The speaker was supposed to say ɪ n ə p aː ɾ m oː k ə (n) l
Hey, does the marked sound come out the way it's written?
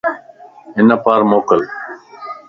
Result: no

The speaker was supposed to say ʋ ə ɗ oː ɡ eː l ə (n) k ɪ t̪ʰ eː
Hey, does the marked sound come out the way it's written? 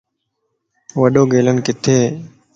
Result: yes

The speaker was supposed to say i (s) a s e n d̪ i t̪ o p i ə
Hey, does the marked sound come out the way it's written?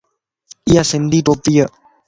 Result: no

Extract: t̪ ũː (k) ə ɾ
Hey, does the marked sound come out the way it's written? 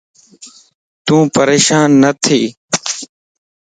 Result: no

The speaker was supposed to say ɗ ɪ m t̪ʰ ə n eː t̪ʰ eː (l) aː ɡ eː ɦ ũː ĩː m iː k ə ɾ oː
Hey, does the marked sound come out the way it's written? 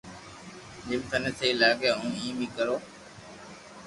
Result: yes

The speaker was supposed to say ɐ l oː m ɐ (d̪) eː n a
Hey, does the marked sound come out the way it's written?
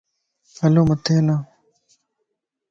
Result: no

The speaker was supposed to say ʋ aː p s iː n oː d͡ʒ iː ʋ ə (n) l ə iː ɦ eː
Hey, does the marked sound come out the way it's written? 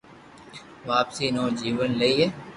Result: yes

